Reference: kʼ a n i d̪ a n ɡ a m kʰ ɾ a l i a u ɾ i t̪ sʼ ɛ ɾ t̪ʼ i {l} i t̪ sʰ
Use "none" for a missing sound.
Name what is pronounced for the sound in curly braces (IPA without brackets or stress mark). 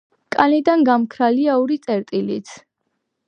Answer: l